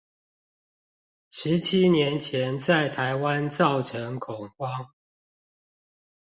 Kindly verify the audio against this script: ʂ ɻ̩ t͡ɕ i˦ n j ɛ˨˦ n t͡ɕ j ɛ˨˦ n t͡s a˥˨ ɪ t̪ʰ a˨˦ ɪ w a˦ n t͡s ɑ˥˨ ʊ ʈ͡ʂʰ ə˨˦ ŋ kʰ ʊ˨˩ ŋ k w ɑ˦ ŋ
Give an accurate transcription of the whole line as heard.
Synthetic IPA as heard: ʂ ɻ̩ t͡ɕʰ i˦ n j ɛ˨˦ n t͡ɕʰ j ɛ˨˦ n t͡s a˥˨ ɪ t̪ʰ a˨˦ ɪ w a˦ n t͡s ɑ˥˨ ʊ ʈ͡ʂʰ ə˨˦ ŋ kʰ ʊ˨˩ ŋ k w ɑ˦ ŋ